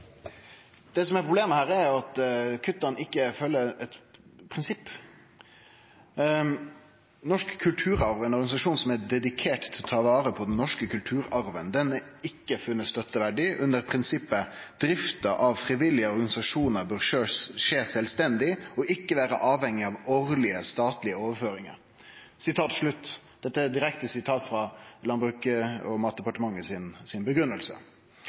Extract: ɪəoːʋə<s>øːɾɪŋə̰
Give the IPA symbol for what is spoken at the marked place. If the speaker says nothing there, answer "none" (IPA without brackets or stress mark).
f